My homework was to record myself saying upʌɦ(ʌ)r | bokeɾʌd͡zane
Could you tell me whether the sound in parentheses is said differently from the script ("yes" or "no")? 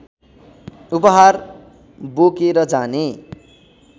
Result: yes